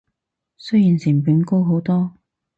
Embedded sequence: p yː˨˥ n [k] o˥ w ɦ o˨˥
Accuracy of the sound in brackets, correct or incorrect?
correct